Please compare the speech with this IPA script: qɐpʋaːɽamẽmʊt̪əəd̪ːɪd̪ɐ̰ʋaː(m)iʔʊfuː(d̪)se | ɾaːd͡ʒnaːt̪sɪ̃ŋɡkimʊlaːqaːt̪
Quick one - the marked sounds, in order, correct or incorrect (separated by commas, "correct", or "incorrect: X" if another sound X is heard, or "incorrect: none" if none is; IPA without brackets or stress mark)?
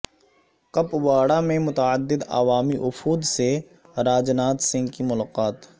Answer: correct, correct